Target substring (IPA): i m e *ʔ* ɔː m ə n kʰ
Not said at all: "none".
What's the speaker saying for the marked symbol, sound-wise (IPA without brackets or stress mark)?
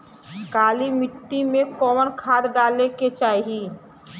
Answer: k